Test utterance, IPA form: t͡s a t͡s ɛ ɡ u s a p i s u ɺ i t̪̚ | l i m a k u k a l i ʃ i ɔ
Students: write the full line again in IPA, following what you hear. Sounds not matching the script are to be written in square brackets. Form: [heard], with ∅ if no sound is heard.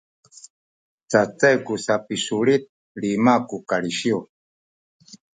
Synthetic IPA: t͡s a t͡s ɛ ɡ u s a p i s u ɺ i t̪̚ | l i m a k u k a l i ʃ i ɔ